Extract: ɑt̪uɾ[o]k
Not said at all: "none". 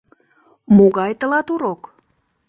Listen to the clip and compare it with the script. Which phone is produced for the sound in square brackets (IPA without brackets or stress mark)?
o